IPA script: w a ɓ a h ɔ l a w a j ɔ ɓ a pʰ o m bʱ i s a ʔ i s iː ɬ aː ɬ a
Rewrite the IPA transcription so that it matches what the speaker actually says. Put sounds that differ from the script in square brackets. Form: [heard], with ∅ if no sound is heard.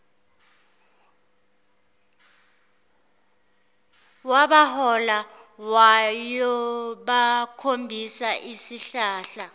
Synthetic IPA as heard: w a ɓ a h ɔ l a w a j ɔ ɓ a [kʰ] o m bʱ i s a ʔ i s [i] ɬ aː ɬ a